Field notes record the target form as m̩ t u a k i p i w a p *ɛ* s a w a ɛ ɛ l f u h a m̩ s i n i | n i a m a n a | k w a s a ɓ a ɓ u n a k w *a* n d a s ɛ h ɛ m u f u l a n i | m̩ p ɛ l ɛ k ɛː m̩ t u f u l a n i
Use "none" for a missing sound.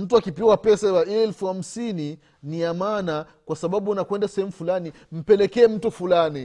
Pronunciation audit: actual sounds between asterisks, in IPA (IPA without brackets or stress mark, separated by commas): ɛ, ɛ